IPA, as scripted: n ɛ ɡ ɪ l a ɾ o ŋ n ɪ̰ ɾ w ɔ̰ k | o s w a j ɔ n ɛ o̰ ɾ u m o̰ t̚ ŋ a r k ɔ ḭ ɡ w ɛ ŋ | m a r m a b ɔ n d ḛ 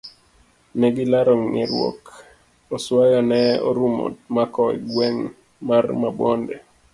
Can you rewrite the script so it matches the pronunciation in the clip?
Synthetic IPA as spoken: n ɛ ɡ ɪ l a ɾ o ŋ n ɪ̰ ɾ w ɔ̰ k | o s w a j ɔ n ɛ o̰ ɾ u m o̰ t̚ m a k ɔ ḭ ɡ w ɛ ŋ | m a r m a b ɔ n d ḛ

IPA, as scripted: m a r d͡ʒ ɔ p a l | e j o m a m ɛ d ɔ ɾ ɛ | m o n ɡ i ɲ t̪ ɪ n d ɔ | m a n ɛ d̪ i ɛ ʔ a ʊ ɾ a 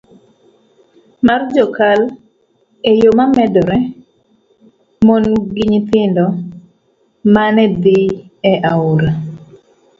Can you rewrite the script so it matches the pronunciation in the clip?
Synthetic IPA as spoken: m a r d͡ʒ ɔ k a l | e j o m a m ɛ d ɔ ɾ ɛ | m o n ɡ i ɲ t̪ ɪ n d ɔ | m a n ɛ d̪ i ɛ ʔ a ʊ ɾ a

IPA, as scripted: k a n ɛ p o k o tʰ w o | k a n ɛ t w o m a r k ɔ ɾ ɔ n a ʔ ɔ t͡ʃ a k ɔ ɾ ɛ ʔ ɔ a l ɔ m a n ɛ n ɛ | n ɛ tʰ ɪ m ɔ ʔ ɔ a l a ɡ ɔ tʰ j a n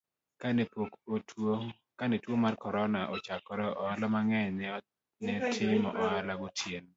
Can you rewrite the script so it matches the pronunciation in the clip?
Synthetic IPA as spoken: k a n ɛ p o k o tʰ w o | k a n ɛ t w o m a r k ɔ ɾ ɔ n a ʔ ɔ t͡ʃ a k ɔ ɾ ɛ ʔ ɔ a l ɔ m a ŋ ɛ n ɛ | n ɛ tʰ ɪ m ɔ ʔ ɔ a l a ɡ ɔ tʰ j e n

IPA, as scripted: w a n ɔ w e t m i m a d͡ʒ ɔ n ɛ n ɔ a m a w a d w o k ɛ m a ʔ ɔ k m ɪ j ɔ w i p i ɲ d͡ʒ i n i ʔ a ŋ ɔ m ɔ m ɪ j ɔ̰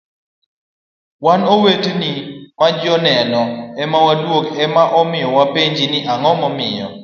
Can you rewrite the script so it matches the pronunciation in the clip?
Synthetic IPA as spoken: w a n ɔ w e t n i m a d͡ʒ ɔ n ɛ n ɔ ɛ m a w a d w o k ɛ m a ʔ ɔ m ɪ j ɔ w a p e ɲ d͡ʒ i n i ʔ a ŋ ɔ m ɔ m ɪ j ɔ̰

